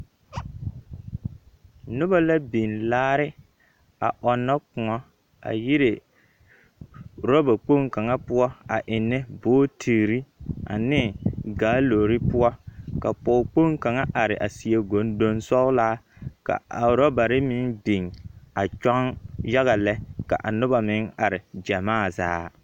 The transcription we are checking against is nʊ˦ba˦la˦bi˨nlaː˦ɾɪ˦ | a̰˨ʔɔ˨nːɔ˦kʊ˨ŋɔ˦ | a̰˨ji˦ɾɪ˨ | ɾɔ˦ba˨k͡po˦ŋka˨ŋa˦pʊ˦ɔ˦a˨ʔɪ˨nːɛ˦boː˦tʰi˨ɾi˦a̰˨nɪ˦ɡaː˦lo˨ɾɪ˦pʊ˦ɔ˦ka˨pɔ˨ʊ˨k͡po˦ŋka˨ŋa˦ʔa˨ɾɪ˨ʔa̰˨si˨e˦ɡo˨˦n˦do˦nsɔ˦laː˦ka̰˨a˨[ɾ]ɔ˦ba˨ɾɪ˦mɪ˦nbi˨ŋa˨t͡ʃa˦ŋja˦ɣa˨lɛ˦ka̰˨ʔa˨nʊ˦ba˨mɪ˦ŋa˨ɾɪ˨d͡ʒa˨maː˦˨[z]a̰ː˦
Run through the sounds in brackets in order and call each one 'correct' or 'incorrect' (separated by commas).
correct, correct